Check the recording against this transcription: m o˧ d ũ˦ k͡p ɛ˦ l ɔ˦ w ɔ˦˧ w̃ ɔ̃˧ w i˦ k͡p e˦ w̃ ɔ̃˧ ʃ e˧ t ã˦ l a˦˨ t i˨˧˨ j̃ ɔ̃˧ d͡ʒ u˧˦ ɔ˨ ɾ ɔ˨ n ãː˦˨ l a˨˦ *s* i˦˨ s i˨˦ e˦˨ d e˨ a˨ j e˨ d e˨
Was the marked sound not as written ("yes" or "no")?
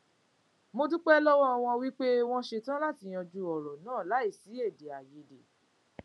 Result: yes